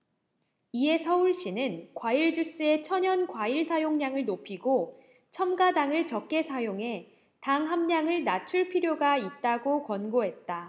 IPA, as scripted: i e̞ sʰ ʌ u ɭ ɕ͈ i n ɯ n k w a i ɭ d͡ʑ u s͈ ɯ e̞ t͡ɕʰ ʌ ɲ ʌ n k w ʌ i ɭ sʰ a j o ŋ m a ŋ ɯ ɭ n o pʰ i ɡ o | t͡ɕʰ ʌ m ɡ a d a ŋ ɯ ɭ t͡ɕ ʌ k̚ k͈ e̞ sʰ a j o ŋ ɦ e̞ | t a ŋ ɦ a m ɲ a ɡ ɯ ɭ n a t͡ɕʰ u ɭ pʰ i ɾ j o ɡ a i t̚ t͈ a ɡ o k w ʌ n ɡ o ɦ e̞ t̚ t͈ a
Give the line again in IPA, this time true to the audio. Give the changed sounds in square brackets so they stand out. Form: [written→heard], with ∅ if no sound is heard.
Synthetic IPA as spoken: i e̞ sʰ ʌ u ɭ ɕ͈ i n ɯ n k w a i ɭ d͡ʑ u s͈ ɯ e̞ t͡ɕʰ ʌ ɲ ʌ n k w [ʌ→a] i ɭ sʰ a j o ŋ [m→ɲ] a ŋ ɯ ɭ n o pʰ i ɡ o | t͡ɕʰ ʌ m ɡ a d a ŋ ɯ ɭ t͡ɕ ʌ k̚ k͈ e̞ sʰ a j o ŋ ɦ e̞ | t a ŋ ɦ a m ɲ a [ɡ→ŋ] ɯ ɭ n a t͡ɕʰ u ɭ pʰ i ɾ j o ɡ a i t̚ t͈ a ɡ o k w ʌ n ɡ o ɦ e̞ t̚ t͈ a